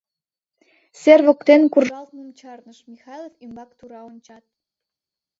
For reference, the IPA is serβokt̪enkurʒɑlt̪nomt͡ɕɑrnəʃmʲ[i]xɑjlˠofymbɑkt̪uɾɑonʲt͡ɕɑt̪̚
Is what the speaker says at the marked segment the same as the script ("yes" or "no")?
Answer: yes